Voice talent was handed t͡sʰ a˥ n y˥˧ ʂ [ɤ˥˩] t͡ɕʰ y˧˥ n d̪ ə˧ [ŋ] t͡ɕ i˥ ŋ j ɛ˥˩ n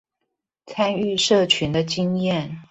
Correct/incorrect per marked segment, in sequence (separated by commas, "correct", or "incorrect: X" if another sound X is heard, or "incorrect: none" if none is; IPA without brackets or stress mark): correct, incorrect: none